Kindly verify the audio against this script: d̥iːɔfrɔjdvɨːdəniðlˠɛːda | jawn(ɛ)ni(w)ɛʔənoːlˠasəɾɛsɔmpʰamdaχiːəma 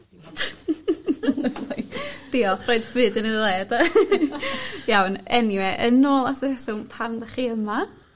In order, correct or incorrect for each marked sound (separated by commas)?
correct, correct